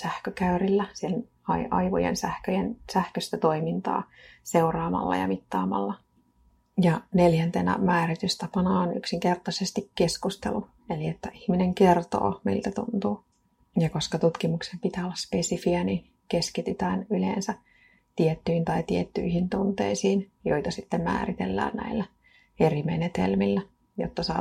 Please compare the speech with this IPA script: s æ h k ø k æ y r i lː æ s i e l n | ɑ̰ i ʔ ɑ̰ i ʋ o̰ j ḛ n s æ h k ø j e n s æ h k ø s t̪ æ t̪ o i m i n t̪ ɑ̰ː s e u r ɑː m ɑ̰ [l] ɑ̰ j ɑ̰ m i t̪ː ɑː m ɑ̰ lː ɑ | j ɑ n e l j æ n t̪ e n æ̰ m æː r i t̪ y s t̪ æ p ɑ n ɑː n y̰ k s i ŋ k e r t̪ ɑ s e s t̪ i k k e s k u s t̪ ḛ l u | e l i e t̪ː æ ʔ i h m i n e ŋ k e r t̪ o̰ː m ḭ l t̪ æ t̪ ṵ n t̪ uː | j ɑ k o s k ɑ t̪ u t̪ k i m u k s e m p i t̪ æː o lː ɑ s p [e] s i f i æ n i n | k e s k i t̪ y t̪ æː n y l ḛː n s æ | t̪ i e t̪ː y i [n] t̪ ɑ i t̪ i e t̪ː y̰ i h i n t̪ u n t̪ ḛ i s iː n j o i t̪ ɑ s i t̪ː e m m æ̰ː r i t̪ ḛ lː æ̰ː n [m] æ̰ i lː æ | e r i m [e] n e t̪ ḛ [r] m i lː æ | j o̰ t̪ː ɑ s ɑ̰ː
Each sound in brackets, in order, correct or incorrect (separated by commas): incorrect, correct, correct, incorrect, correct, incorrect